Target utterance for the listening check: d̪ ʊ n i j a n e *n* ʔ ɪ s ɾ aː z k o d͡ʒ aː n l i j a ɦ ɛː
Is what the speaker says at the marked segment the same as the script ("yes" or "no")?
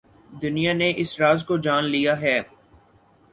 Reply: no